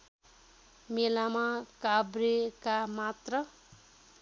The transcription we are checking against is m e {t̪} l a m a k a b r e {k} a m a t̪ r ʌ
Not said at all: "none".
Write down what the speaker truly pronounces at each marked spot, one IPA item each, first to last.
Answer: none, k

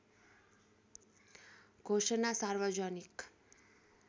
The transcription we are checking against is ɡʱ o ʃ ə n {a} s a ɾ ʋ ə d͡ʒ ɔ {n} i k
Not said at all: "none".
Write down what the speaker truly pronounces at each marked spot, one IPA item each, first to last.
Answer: a, n

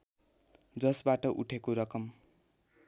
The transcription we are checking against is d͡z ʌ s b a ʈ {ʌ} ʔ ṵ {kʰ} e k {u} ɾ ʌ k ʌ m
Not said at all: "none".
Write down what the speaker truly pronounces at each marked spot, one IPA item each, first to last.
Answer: ʌ, ʈʰ, o

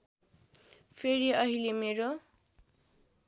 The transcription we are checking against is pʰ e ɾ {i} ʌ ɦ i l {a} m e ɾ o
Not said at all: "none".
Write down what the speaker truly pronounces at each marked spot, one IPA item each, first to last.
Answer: i, e

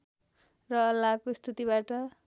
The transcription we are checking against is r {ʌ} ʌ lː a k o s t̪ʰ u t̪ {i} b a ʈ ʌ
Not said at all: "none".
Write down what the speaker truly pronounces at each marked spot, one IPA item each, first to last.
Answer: ʌ, i

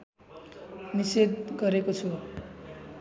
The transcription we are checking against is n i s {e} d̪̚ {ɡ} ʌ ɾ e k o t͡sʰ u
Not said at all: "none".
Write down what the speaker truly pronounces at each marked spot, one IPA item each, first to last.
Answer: e, ɡ

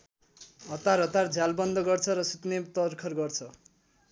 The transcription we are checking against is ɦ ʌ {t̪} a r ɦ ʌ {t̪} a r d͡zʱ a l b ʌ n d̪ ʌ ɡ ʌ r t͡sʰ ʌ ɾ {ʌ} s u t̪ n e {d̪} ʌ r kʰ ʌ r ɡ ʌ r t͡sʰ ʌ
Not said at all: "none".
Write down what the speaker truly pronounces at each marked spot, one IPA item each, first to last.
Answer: t̪, t̪, ʌ, t̪

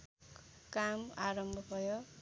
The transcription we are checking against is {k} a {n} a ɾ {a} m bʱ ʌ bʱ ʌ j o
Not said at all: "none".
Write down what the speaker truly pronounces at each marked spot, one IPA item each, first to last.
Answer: k, m, ʌ

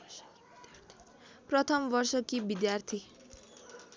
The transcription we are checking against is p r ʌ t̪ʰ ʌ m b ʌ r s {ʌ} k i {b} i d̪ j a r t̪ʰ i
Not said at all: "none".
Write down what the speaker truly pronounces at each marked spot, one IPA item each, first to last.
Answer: ʌ, b

